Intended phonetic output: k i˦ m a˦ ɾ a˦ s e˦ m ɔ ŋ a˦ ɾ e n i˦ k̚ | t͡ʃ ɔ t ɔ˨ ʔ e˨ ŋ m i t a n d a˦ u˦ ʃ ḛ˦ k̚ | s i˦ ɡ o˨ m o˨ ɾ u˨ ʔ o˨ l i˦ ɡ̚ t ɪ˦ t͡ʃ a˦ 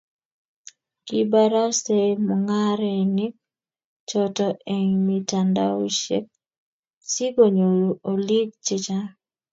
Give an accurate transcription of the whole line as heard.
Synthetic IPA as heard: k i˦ b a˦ ɾ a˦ s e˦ m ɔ ŋ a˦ ɾ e n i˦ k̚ | t͡ʃ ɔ t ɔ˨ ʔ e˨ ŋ m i t a n d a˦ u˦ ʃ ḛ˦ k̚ | s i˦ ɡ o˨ ɲ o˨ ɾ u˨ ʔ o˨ l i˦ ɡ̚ t͡ʃ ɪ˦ t͡ʃ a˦